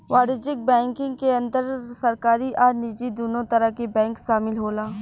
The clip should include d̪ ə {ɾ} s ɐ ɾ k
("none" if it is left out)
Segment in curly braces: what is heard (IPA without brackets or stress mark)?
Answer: ɾ